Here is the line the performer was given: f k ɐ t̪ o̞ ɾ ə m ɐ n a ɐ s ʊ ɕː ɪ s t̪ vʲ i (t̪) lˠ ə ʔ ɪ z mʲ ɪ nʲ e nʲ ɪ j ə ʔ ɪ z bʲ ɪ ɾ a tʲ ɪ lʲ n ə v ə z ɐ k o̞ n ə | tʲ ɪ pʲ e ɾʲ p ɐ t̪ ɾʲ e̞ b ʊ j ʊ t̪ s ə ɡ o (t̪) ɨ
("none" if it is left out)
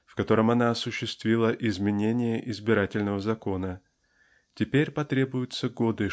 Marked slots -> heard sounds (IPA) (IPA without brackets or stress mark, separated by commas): none, d̪